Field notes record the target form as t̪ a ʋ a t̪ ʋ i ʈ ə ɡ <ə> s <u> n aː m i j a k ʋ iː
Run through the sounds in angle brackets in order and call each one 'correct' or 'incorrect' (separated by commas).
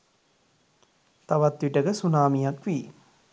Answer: correct, correct